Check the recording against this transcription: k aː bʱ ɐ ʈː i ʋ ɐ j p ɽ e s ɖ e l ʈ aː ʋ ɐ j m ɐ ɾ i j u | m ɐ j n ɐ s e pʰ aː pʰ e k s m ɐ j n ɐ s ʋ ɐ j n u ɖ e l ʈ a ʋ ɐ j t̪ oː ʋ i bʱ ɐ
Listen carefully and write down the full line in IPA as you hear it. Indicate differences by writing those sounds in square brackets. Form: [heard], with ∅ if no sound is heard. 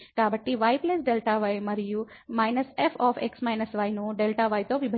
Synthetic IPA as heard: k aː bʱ ɐ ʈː i ʋ ɐ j p [l] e s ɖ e l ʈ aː ʋ ɐ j m ɐ ɾ i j u | m ɐ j n ɐ s e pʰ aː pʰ e k s m ɐ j n ɐ s ʋ ɐ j n u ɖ e l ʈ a ʋ ɐ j t̪ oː ʋ i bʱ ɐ